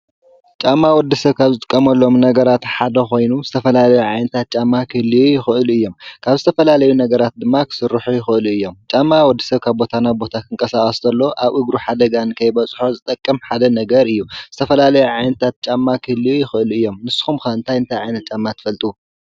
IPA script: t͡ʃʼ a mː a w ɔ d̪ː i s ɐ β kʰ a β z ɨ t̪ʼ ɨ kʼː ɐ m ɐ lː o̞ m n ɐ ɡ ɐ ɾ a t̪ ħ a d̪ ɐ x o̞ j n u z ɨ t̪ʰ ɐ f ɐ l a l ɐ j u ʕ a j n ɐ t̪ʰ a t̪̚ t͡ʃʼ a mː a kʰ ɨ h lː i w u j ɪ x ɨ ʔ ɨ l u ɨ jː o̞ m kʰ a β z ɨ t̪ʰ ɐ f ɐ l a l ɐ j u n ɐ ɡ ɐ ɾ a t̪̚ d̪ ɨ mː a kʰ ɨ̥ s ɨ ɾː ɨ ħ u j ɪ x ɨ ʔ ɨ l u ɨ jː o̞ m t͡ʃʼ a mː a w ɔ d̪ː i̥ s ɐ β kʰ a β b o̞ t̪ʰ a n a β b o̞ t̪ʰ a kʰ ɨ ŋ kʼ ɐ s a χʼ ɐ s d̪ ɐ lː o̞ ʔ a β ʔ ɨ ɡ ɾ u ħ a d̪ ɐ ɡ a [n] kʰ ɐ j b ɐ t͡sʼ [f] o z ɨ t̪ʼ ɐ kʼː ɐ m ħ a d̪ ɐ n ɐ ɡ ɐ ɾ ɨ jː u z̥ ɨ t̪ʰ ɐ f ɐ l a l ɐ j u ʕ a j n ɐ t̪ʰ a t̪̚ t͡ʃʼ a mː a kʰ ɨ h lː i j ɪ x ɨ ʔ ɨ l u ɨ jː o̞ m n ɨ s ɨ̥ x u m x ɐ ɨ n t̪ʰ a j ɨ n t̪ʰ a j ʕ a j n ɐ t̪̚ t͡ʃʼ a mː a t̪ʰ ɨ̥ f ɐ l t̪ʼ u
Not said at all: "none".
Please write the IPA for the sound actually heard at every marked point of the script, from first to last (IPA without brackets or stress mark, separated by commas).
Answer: n, ħ